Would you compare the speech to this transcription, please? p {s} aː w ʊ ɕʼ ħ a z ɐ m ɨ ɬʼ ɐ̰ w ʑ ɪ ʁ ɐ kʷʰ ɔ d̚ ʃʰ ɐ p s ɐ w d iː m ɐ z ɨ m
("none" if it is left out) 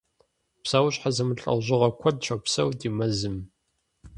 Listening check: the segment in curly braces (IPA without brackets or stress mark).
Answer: s